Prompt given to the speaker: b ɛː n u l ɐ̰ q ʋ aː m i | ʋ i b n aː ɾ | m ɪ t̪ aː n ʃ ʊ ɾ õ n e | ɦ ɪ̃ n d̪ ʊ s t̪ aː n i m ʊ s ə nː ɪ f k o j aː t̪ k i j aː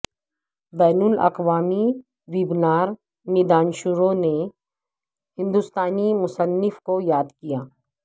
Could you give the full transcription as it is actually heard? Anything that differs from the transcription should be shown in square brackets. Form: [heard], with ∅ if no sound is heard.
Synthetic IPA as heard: b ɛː n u l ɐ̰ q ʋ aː m i | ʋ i b n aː ɾ | m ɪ [d̪] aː n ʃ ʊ ɾ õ n e | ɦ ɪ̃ n d̪ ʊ s t̪ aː n i m ʊ s ə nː ɪ f k o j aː [d̪] k i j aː

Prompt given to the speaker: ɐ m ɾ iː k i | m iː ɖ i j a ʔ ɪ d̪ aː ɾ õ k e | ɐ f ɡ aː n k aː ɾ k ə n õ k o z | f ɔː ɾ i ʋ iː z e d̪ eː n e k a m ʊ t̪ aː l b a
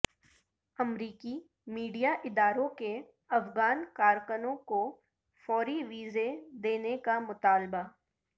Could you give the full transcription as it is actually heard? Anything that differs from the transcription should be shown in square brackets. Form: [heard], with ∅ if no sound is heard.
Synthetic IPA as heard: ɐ m ɾ iː k i | m iː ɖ i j a ʔ ɪ d̪ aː ɾ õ k e | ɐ f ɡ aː n k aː ɾ k ə n õ k o [∅] | f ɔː ɾ i ʋ iː z e d̪ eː n e k a m ʊ t̪ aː l b a

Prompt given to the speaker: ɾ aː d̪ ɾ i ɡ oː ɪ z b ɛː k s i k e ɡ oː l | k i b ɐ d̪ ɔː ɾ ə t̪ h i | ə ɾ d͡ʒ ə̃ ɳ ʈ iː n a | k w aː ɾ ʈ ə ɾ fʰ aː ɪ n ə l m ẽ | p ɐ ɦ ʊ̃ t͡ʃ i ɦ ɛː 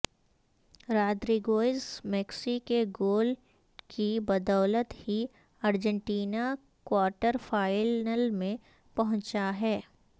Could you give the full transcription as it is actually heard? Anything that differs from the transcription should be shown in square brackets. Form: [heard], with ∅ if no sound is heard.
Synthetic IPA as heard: ɾ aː d̪ ɾ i ɡ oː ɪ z [m] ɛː k s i k e ɡ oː l | k i b ɐ d̪ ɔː [l] ə t̪ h i | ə ɾ d͡ʒ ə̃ ɳ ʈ iː n a | k w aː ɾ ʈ ə ɾ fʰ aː ɪ n ə l m ẽ | p ɐ ɦ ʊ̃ t͡ʃ [a] ɦ ɛː

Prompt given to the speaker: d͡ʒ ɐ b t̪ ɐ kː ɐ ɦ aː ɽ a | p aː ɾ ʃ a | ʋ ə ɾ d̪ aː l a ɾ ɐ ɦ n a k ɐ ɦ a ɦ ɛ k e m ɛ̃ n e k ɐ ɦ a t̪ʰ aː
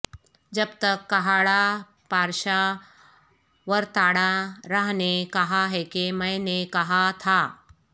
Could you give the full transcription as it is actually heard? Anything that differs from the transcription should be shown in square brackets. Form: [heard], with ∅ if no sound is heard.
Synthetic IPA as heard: d͡ʒ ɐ b t̪ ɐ kː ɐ ɦ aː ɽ a | p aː ɾ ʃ a | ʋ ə ɾ [t̪] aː [ɽ] a ɾ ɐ ɦ n [e] k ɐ ɦ a ɦ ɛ k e m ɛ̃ n e k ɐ ɦ a t̪ʰ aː

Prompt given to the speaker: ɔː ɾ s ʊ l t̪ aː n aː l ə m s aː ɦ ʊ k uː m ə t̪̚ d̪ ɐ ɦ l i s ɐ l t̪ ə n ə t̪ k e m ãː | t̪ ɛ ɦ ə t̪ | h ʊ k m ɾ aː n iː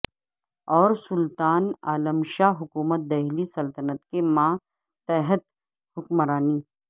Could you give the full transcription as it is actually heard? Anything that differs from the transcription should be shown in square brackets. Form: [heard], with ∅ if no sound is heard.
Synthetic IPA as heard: ɔː ɾ s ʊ l t̪ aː n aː l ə m [ʃ] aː ɦ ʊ k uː m ə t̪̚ d̪ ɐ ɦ l i s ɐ l t̪ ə n ə t̪ k e m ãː | t̪ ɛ ɦ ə t̪ | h ʊ k m ɾ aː n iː

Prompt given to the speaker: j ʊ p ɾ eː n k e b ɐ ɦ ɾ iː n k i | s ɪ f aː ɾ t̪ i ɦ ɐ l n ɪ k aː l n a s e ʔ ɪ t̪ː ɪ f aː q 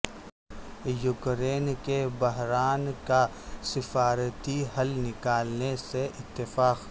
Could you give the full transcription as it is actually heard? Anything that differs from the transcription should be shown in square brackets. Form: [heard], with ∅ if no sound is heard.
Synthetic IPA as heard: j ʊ [k] ɾ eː n k e b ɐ ɦ ɾ [aː] n k [a] | s ɪ f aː ɾ t̪ i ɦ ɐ l n ɪ k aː l n [e] s e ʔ ɪ t̪ː ɪ f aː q

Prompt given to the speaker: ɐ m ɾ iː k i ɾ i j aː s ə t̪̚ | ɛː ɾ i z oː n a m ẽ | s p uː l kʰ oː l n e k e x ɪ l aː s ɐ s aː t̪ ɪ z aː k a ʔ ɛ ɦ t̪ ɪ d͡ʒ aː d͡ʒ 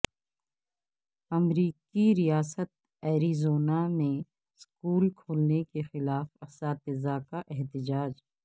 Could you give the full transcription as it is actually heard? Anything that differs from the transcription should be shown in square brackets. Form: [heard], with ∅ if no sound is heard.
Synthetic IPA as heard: ɐ m ɾ iː k i ɾ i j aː s ə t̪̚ | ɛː ɾ i z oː n a m ẽ | s [k] uː l kʰ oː l n e k e x ɪ l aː [f] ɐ s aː t̪ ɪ z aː k a ʔ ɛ ɦ t̪ ɪ d͡ʒ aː d͡ʒ

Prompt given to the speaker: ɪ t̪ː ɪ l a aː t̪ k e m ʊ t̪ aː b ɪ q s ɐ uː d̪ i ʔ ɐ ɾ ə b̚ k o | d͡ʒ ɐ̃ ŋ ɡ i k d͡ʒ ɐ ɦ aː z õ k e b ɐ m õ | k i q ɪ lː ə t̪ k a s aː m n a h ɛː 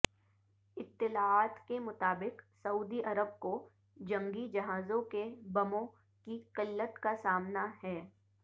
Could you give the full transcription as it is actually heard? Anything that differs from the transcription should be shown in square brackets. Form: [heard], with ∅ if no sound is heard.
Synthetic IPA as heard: ɪ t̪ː ɪ l a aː t̪ k e m ʊ t̪ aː b ɪ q s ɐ uː d̪ i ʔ ɐ ɾ ə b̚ k o | d͡ʒ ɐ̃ ŋ ɡ i [∅] d͡ʒ ɐ ɦ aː z õ k e b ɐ m õ | k i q ɪ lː ə t̪ k a s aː m n a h ɛː

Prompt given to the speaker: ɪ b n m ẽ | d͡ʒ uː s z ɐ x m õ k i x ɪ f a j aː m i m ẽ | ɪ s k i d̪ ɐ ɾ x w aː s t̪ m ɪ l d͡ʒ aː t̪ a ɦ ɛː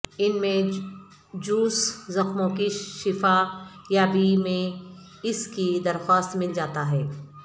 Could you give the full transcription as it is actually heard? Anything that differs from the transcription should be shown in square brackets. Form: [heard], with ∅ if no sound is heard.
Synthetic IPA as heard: ɪ [∅] n m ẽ | d͡ʒ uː s z ɐ x m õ k i [ʃ] ɪ f a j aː [b] i m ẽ | ɪ s k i d̪ ɐ ɾ x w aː s t̪ m ɪ l d͡ʒ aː t̪ a ɦ ɛː

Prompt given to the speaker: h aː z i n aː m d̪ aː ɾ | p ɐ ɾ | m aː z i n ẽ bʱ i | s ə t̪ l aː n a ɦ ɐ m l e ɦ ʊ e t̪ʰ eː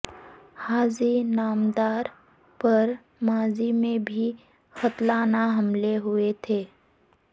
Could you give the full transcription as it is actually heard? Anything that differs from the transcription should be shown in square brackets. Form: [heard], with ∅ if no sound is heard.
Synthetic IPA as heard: h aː z i n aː m d̪ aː ɾ | p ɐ ɾ | m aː z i [m] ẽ bʱ i | [x] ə t̪ l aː n a ɦ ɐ m l e ɦ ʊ e t̪ʰ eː

